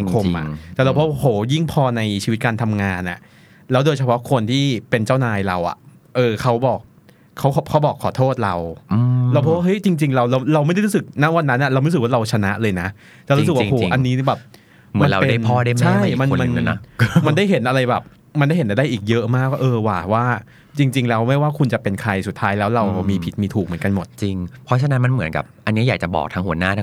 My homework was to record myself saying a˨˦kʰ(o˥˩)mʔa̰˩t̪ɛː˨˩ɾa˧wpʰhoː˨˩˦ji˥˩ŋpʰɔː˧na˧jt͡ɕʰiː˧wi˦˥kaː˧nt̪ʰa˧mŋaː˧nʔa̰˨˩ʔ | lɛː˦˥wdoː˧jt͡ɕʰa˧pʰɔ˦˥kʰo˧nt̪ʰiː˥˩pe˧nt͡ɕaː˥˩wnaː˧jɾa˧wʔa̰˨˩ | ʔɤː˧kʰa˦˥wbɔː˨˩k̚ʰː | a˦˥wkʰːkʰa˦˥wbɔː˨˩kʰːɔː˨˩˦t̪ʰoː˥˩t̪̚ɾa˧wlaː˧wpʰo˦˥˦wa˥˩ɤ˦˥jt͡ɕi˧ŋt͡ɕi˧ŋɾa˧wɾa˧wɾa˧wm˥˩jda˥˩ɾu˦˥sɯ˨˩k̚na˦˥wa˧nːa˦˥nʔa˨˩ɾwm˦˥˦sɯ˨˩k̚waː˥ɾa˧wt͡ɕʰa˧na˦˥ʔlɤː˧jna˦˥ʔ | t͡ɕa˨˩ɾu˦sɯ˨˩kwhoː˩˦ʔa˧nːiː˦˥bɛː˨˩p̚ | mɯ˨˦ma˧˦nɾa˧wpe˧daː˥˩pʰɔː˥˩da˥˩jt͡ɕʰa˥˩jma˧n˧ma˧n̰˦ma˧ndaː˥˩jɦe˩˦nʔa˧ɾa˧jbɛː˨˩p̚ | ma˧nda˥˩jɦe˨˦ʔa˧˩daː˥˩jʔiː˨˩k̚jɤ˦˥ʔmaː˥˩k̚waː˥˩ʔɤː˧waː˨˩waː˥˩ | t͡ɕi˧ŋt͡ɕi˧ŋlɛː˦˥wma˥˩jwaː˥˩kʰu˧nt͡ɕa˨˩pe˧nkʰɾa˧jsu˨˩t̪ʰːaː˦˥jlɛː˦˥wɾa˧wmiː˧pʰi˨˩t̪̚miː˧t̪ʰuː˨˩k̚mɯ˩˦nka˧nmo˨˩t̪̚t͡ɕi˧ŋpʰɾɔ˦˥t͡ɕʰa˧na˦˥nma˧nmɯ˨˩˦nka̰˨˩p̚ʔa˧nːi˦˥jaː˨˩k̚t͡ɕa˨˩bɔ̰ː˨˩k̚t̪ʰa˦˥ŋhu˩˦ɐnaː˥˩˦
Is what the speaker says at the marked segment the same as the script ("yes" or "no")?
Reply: no